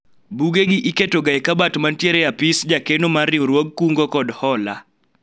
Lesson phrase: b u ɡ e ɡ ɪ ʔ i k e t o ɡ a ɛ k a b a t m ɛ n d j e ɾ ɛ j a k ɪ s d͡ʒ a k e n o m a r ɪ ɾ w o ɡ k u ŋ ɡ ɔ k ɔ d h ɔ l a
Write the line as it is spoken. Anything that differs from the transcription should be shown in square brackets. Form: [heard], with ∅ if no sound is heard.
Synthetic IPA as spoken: b u ɡ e ɡ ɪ ʔ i k e t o ɡ a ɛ k a b a t m [a] n [t] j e ɾ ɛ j a [p] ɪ s d͡ʒ a k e n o m a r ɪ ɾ w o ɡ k u ŋ ɡ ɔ k ɔ d h ɔ l a

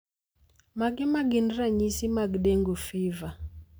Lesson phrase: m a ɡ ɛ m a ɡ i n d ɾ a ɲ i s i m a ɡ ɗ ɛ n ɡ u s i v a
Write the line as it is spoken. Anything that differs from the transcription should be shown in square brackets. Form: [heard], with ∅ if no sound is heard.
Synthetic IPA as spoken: m a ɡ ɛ m a ɡ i n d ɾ a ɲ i s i m a ɡ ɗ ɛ [ŋ] ɡ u [f] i v a

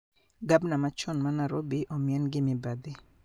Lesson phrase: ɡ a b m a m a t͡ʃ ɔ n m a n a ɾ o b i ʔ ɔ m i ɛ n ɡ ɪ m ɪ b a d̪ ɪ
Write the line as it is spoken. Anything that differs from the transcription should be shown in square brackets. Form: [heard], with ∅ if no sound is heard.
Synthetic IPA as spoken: ɡ a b [n] a m a t͡ʃ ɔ n m a n a ɾ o b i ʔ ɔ m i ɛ n ɡ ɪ m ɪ b a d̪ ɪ

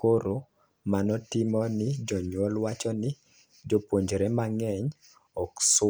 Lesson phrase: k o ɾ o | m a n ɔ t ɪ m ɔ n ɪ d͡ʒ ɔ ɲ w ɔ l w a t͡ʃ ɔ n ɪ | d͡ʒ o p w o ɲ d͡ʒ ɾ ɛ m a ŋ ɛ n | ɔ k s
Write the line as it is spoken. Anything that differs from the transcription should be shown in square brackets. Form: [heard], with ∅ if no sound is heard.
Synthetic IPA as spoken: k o ɾ o | m a n ɔ t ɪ m ɔ n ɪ d͡ʒ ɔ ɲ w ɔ l w a t͡ʃ ɔ n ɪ | d͡ʒ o p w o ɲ d͡ʒ ɾ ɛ m a ŋ ɛ [ɲ] | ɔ k s

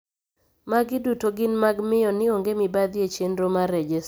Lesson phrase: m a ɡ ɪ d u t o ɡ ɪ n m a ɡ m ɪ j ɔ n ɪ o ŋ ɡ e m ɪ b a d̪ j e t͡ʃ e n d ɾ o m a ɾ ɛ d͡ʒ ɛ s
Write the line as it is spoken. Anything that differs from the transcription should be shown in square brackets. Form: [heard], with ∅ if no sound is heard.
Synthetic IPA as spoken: m a ɡ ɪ d u t o ɡ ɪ n m a ɡ m ɪ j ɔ n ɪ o ŋ ɡ e m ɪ b a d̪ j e t͡ʃ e n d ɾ o m a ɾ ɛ d͡ʒ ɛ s

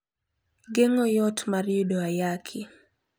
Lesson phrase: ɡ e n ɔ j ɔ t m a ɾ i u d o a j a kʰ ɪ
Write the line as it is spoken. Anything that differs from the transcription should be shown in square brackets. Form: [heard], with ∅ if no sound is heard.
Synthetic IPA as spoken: ɡ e [ŋ] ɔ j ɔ t m a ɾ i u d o a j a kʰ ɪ

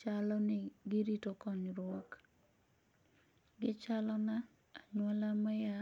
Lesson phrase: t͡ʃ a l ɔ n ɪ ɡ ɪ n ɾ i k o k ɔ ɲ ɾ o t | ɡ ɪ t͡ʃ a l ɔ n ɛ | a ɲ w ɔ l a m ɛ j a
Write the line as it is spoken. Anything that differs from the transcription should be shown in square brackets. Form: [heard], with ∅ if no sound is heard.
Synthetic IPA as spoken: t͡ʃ a l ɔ n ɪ ɡ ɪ [∅] ɾ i [t] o k ɔ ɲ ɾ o [k] | ɡ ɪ t͡ʃ a l ɔ n [a] | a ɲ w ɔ l a m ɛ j a

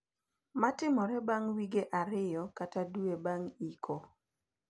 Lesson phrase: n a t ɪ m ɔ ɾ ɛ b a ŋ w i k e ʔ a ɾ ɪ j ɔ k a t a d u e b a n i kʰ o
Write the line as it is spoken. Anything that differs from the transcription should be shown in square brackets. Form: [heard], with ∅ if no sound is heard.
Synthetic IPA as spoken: [m] a t ɪ m ɔ ɾ ɛ b a ŋ w i [ɡ] e ʔ a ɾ ɪ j ɔ k a t a d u e b a [ŋ] i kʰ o

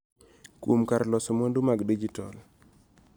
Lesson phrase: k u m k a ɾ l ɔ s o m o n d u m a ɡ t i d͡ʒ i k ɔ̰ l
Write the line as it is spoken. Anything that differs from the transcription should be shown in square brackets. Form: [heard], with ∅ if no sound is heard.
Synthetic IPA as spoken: k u m k a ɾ l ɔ s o m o n d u m a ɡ [d] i d͡ʒ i [t] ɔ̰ l

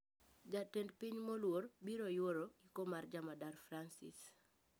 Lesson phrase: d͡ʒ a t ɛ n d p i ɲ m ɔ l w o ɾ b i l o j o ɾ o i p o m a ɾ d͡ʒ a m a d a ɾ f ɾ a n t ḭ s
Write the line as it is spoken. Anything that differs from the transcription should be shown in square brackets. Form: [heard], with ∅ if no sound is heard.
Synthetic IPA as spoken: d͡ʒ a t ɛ n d p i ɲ m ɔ l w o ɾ b i [ɾ] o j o ɾ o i [k] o m a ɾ d͡ʒ a m a d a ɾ f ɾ a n [s] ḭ s

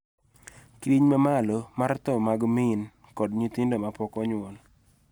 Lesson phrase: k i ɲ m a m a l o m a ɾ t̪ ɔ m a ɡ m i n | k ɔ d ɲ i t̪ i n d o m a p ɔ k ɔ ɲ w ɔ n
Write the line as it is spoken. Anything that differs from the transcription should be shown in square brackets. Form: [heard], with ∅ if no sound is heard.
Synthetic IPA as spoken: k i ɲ m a m a l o m a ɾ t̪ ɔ m a ɡ m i n | k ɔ d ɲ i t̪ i n d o m a p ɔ k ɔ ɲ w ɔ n

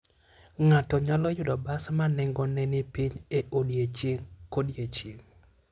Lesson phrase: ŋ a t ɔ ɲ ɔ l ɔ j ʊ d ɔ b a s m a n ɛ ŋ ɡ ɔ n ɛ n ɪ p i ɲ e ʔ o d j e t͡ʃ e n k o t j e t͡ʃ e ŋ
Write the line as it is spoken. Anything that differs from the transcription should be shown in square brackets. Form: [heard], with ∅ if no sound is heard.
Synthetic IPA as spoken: ŋ a t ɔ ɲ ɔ l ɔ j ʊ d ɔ b a s m a n ɛ ŋ ɡ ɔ n ɛ n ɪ p i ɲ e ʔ o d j e t͡ʃ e [ŋ] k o [d] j e t͡ʃ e ŋ

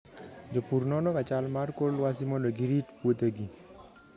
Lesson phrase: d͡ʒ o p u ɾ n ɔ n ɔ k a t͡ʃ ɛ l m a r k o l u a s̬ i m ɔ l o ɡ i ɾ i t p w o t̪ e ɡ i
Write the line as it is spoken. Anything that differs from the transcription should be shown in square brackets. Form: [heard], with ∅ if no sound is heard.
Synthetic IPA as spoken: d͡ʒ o p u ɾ n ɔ n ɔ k a t͡ʃ [a] l m a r k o l [w] a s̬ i m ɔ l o ɡ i ɾ i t p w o t̪ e ɡ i

